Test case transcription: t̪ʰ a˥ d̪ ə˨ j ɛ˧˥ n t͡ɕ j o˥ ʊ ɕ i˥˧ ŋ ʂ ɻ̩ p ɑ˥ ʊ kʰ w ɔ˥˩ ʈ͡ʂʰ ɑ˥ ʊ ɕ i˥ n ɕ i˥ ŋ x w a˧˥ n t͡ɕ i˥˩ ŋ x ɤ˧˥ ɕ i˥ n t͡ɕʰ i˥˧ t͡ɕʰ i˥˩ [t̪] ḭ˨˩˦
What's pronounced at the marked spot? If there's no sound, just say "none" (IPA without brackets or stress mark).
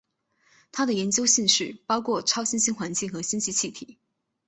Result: t̪ʰ